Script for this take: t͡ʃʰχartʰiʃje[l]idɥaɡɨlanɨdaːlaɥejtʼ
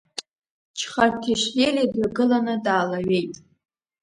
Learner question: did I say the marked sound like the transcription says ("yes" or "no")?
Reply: yes